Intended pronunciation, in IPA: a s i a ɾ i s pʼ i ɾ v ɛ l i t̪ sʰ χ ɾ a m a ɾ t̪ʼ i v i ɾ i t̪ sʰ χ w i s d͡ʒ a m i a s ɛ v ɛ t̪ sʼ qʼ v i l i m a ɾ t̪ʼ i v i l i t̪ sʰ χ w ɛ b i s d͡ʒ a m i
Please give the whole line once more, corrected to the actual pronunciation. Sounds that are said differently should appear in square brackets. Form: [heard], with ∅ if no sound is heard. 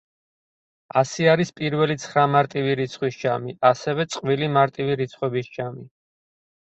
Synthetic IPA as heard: a s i a ɾ i s pʼ i ɾ v ɛ l i t̪ sʰ χ ɾ a m a ɾ t̪ʼ i v i ɾ i t̪ sʰ χ w i s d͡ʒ a m i a s ɛ v ɛ t̪ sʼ qʼ v i l i m a ɾ t̪ʼ i v i [ɾ] i t̪ sʰ χ w ɛ b i s d͡ʒ a m i